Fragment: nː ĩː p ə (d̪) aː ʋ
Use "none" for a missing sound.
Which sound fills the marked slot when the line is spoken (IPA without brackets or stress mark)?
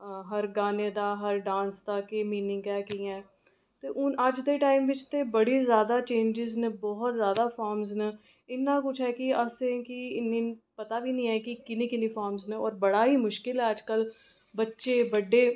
t̪